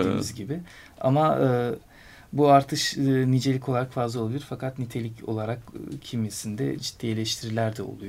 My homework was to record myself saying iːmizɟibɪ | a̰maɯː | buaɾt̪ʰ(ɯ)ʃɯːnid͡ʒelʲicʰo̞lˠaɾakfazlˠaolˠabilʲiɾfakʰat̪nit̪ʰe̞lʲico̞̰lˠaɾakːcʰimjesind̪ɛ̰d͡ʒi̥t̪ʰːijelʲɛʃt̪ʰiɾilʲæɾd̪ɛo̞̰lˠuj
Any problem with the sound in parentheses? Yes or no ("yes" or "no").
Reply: no